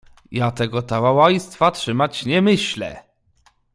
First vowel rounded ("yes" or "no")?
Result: no